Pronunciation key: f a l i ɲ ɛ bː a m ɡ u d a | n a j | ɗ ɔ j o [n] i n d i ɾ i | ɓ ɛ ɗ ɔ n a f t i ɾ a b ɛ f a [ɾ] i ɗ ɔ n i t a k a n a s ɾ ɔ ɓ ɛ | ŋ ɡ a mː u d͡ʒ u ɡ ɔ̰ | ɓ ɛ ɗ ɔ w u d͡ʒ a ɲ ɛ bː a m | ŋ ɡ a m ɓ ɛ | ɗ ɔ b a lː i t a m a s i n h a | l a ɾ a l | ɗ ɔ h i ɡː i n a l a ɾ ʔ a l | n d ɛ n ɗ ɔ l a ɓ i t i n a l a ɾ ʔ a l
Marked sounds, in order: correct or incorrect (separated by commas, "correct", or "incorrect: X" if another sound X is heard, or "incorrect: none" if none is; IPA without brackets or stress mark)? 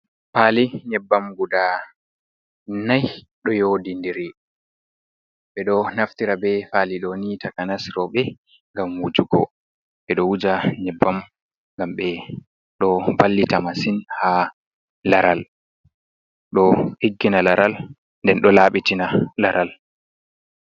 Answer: incorrect: d, incorrect: l